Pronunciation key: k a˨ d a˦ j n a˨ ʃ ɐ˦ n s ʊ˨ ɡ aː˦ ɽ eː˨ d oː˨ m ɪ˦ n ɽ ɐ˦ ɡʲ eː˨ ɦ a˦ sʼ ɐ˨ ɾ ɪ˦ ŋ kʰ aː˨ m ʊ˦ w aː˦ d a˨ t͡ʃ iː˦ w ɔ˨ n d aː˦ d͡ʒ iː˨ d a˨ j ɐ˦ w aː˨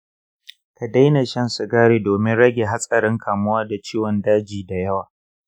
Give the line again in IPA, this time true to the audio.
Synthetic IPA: k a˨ d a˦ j n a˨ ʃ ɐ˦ n s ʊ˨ ɡ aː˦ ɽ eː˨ d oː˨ m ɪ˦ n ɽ ɐ˦ ɡʲ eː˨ ɦ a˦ sʼ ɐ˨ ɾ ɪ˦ ŋ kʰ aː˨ m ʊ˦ w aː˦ d a˨ t͡ʃ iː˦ w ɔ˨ n d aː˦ d͡ʒ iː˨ d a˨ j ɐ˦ w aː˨